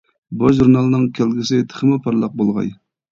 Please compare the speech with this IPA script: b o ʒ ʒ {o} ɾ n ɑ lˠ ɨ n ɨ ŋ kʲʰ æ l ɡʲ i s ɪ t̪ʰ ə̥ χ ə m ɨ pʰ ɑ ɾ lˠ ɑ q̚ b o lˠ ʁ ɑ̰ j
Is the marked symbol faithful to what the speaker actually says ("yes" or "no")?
no